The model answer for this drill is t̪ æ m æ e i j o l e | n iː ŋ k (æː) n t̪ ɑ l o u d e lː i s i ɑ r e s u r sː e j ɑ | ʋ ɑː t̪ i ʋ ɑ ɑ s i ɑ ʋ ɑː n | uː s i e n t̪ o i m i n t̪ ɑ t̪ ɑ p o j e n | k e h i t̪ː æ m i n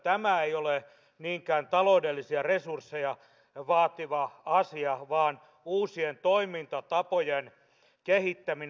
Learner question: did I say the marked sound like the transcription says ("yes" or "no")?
yes